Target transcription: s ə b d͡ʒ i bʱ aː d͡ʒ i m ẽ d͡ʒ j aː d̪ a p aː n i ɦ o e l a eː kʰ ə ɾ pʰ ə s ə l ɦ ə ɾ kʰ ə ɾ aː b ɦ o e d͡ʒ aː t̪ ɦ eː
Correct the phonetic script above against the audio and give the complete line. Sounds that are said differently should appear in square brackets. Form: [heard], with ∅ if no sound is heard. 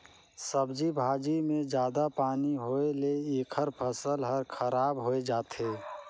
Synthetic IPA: s ə b d͡ʒ i bʱ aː d͡ʒ i m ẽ d͡ʒ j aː d̪ a p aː n i ɦ o e l [e] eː kʰ ə ɾ pʰ ə s ə l ɦ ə ɾ kʰ ə ɾ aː b ɦ o e d͡ʒ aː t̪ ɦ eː